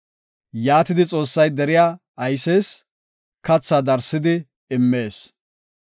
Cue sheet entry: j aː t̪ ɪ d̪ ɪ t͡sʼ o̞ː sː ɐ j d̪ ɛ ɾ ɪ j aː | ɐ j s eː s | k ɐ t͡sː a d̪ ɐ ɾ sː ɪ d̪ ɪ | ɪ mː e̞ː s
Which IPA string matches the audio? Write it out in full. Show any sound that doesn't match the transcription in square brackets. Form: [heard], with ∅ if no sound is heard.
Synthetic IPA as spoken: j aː t̪ ɪ d̪ ɪ t͡sʼ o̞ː sː ɐ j d̪ ɛ ɾ ɪ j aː | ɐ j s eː s | k ɐ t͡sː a d̪ ɐ ɾ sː ɪ d̪ ɪ | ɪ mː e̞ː s